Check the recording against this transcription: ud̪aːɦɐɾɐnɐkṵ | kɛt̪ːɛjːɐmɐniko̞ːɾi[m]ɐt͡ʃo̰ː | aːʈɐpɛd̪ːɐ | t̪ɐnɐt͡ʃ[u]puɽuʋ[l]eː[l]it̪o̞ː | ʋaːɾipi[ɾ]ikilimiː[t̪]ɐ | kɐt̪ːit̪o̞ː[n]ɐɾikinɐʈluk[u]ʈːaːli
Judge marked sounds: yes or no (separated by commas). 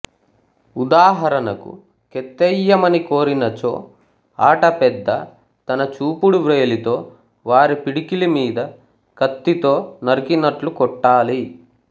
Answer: no, no, no, yes, no, no, yes, no